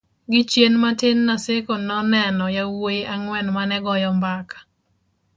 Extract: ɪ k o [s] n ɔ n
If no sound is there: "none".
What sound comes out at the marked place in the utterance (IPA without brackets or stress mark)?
none